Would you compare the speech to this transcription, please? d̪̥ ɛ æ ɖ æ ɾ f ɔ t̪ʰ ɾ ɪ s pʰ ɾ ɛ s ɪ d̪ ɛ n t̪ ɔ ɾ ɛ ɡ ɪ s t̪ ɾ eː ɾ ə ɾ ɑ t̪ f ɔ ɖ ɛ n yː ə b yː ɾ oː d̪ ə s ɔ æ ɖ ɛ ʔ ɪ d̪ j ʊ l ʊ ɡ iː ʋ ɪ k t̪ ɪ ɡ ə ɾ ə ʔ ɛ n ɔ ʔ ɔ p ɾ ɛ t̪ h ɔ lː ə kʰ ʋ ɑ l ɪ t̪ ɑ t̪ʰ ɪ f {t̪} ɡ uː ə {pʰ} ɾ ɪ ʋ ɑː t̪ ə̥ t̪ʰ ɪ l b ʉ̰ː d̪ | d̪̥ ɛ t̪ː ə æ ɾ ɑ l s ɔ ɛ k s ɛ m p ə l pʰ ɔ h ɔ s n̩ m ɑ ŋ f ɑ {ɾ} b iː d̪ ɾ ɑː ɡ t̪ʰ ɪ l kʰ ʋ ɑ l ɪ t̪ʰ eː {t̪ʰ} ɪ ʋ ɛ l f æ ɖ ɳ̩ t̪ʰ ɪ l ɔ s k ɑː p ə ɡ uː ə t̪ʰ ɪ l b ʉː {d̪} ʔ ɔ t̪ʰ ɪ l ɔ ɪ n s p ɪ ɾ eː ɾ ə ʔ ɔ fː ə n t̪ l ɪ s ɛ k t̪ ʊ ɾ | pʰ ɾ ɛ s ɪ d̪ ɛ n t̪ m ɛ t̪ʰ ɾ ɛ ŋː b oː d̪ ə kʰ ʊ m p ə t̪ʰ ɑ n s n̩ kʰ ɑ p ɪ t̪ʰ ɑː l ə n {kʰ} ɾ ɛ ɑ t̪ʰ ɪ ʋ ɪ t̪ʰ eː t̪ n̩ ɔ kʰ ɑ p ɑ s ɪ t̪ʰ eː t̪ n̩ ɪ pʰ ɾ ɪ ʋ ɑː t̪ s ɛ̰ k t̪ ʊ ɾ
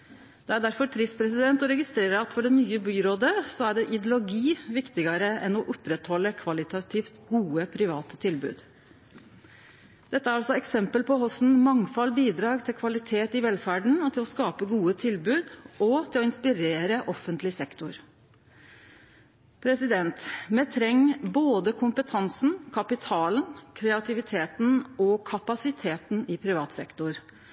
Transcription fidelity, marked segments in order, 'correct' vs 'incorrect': correct, correct, incorrect: l, incorrect: t̪, correct, correct

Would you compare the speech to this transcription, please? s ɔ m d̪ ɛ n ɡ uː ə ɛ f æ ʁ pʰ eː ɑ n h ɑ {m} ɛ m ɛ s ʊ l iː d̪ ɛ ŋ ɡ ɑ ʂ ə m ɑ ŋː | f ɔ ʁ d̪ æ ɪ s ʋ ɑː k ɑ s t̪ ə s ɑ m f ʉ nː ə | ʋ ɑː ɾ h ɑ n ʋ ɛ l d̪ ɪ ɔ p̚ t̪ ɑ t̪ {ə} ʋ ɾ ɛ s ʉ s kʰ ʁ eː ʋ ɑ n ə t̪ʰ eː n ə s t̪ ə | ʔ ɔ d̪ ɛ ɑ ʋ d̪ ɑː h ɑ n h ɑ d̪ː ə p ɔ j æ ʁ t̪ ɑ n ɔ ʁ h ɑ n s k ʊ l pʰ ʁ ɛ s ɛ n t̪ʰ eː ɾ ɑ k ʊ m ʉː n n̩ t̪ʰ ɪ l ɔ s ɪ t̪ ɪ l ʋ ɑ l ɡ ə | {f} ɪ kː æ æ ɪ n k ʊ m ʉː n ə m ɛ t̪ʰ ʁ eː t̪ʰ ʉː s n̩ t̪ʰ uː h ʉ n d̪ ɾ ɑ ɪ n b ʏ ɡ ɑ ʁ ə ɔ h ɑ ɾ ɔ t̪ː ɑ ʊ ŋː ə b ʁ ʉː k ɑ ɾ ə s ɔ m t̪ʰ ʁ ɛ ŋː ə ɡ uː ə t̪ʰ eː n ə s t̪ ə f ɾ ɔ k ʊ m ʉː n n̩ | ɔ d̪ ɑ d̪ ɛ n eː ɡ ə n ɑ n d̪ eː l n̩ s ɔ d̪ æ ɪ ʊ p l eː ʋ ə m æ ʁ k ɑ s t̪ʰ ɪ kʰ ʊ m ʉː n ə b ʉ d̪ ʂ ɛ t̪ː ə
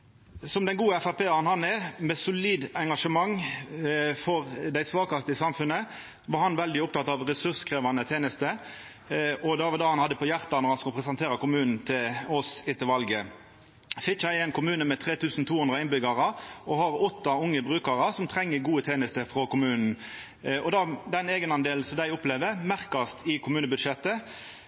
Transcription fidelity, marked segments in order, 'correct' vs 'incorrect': incorrect: n, incorrect: ɑ, correct

